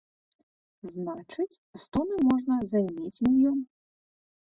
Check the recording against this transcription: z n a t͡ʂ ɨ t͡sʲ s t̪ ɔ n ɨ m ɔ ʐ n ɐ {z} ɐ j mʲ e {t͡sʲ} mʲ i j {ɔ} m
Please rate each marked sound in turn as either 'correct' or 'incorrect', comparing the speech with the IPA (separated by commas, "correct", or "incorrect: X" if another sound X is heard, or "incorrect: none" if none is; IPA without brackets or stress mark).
correct, correct, correct